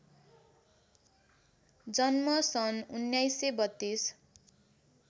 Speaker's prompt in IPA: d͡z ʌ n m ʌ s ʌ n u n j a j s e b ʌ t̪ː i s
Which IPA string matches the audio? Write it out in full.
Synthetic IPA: d͡z ʌ n m ʌ s ʌ n u n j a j s e b ʌ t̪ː i s